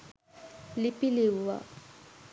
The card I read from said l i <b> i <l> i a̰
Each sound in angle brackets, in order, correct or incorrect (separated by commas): incorrect, correct